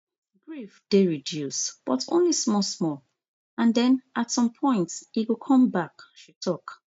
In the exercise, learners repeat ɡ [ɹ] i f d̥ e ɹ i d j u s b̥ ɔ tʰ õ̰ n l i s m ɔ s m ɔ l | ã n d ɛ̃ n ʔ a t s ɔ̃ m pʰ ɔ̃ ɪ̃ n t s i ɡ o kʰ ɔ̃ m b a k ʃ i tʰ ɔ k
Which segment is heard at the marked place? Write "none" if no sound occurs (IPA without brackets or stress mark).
ɹ